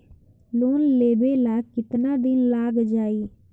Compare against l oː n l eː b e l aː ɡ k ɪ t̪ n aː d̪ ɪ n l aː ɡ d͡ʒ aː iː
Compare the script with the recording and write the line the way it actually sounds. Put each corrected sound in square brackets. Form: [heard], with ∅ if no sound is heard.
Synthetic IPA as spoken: l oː n l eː b e l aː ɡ k ɪ t̪ n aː d̪ ɪ n l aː ɡ d͡ʒ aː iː